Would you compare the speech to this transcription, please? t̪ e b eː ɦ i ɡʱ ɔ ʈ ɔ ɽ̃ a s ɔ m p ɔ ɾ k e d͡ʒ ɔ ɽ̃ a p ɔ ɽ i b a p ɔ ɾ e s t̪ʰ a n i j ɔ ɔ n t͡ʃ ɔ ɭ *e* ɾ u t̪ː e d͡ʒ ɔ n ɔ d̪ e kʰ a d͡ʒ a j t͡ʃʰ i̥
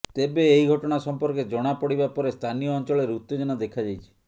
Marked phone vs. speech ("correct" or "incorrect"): correct